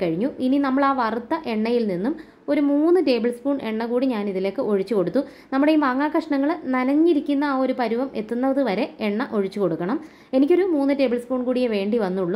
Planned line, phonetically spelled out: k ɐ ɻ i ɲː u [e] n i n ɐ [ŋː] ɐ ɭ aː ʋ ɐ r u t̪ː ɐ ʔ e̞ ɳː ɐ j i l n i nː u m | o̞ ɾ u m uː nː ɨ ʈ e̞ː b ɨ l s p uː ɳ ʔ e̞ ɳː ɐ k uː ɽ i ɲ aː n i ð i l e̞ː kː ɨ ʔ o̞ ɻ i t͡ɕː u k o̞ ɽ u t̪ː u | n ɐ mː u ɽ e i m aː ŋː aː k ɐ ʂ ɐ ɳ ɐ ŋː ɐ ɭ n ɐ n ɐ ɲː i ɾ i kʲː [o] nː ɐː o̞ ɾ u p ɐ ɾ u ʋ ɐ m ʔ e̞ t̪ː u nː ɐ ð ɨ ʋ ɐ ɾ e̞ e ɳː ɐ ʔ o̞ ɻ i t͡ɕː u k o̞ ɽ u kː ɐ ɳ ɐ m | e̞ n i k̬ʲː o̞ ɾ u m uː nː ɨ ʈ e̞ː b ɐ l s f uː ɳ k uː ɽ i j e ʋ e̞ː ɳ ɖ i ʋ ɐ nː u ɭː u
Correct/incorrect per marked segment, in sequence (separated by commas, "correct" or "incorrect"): incorrect, incorrect, incorrect